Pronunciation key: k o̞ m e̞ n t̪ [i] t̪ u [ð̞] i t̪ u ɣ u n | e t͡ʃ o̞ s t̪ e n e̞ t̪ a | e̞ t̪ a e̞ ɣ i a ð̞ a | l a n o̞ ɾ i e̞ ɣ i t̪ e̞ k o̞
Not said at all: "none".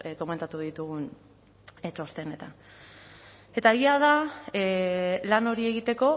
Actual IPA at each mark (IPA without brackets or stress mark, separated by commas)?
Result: a, ð̞